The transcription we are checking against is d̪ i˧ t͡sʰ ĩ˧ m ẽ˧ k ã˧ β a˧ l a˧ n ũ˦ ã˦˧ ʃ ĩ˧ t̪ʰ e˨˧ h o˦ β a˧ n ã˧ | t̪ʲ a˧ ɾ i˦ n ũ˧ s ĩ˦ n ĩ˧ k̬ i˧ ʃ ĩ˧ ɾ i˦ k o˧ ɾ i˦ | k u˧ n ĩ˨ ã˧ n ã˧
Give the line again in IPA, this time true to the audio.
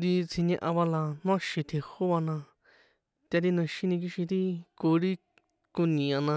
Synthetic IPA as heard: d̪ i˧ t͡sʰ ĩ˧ ɲ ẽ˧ ʔ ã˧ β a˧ l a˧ n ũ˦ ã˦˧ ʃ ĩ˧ t̪ʰ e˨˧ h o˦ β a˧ n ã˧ | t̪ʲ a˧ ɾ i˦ n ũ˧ ʃ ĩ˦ n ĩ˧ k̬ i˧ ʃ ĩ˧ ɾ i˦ k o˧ ɾ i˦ | k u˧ n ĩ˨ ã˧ n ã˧